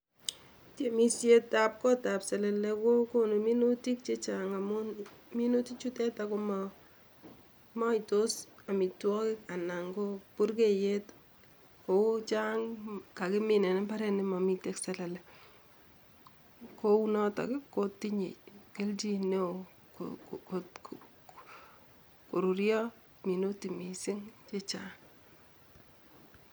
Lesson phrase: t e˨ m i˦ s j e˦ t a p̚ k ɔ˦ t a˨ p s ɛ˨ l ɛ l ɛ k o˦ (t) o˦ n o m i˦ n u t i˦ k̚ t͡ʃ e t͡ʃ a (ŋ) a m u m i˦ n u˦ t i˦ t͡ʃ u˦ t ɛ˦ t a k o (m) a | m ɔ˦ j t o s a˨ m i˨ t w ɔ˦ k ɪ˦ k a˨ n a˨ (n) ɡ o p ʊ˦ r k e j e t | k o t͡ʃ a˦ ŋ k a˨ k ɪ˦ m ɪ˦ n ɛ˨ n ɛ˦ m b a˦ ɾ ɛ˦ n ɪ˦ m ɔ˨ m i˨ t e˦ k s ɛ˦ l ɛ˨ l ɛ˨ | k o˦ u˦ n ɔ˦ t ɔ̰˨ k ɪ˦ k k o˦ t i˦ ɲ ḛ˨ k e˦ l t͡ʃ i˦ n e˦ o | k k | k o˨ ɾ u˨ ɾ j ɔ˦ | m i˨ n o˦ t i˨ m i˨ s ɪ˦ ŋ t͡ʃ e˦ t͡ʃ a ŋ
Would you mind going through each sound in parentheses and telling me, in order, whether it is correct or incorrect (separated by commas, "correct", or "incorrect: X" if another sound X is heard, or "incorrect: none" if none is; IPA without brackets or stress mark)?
incorrect: k, correct, correct, incorrect: ŋ